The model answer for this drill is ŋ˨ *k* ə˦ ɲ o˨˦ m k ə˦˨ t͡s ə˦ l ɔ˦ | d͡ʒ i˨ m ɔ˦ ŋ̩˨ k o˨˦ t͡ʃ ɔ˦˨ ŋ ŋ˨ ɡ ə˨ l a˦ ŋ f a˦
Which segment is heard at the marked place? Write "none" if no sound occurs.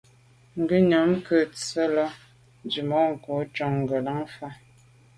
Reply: ɡ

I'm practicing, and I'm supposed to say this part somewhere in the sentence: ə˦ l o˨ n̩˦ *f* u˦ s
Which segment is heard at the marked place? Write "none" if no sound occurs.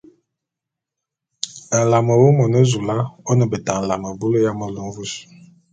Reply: v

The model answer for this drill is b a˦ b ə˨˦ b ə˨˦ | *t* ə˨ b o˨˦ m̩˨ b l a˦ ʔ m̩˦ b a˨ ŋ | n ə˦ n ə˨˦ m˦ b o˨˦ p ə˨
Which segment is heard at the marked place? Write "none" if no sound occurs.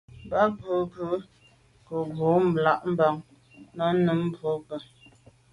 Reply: k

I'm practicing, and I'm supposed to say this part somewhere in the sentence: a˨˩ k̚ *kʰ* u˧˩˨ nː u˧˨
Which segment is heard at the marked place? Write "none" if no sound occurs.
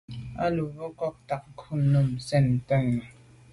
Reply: kʰ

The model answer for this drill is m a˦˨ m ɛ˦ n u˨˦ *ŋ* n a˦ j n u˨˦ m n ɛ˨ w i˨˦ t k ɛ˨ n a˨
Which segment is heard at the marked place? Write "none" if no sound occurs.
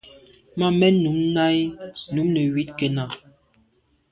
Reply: m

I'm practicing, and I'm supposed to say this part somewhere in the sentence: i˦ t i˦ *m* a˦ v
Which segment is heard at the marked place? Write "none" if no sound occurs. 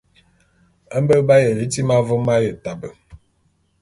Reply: m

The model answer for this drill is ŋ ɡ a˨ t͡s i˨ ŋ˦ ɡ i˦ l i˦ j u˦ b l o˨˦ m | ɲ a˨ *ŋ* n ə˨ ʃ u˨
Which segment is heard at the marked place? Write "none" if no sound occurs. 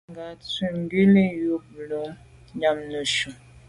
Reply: m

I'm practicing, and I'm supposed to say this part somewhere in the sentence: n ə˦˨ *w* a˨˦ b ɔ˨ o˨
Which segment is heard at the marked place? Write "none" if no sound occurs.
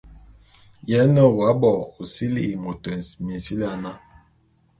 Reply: w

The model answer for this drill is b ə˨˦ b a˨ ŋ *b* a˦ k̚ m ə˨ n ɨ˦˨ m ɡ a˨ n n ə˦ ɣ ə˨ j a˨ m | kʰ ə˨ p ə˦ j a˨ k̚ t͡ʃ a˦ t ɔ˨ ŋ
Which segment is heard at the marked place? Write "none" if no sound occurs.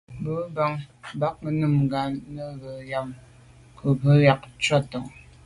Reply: b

